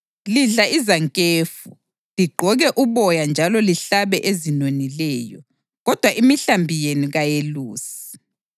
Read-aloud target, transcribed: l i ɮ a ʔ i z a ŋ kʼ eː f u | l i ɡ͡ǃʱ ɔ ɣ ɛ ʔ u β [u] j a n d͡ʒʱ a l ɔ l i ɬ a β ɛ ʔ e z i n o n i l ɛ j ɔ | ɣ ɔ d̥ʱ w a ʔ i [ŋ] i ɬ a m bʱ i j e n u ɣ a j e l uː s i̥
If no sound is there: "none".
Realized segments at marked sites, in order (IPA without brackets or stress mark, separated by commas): ɔ, m